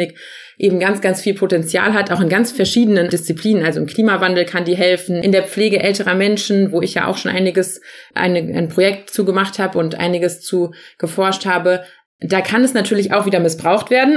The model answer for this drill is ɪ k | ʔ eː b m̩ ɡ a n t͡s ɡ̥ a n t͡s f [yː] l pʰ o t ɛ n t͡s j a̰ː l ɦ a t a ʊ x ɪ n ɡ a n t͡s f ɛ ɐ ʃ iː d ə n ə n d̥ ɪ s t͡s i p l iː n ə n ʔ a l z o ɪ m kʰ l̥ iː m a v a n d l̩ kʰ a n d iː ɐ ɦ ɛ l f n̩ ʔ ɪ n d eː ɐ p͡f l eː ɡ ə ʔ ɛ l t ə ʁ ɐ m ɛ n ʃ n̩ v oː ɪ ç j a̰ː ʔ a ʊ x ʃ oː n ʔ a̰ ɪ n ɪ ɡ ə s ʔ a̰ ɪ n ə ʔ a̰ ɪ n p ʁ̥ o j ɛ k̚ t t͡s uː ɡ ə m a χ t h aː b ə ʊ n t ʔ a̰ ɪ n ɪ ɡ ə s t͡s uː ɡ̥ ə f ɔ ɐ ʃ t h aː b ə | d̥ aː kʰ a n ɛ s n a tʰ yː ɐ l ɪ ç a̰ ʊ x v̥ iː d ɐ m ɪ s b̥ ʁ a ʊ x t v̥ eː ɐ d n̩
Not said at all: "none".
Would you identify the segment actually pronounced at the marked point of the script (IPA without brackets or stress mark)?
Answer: iː